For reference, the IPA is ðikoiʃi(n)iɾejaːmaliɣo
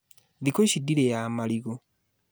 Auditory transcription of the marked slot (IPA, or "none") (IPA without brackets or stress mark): d